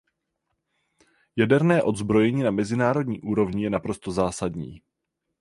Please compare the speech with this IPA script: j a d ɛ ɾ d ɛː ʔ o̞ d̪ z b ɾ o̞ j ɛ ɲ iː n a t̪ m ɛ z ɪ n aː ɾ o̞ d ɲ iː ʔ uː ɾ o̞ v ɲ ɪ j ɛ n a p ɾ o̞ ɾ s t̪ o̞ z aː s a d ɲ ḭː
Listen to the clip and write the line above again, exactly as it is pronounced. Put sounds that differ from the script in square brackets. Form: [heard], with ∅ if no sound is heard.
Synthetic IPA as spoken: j a d ɛ ɾ [n] ɛː ʔ o̞ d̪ z b ɾ o̞ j ɛ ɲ iː n a [∅] m ɛ z ɪ n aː ɾ o̞ d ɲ iː ʔ uː ɾ o̞ v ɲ ɪ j ɛ n a p ɾ o̞ [∅] s t̪ o̞ z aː s a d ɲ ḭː